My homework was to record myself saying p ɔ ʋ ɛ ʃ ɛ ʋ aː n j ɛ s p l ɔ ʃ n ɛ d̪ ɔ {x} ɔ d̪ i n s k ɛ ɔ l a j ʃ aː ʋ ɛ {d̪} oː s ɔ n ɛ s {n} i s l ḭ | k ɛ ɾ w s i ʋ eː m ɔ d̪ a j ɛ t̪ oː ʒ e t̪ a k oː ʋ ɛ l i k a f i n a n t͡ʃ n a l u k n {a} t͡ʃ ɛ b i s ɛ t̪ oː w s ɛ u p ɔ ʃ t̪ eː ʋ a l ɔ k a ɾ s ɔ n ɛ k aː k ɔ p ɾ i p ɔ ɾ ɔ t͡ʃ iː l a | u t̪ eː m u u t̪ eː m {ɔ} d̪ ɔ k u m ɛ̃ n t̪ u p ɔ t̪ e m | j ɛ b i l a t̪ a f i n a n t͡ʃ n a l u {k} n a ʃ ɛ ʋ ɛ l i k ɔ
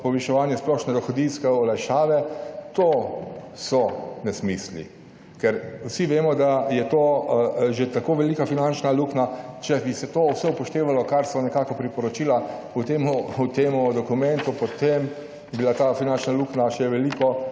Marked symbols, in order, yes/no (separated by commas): yes, no, no, yes, no, yes